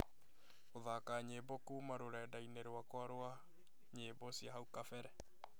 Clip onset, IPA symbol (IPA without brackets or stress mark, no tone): o